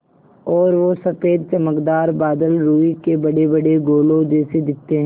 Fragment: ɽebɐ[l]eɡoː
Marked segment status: incorrect: ɽ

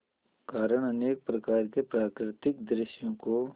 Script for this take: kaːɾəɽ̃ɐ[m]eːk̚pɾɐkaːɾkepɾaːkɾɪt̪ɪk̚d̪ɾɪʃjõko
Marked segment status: incorrect: n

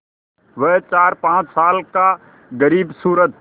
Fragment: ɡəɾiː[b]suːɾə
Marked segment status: correct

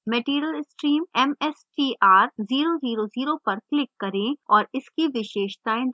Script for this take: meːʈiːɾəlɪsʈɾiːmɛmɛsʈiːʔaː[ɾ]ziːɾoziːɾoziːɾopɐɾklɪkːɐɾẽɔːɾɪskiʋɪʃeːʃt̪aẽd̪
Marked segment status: correct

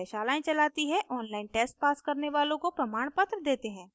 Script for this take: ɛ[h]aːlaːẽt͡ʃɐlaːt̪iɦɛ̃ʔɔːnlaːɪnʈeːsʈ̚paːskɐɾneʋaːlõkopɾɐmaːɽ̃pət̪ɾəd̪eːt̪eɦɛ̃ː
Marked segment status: incorrect: ʃ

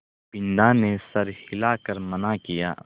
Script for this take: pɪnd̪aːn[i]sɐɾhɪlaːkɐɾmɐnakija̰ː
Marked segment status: incorrect: e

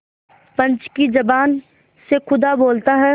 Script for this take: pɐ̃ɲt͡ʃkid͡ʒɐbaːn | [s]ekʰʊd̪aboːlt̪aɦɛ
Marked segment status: correct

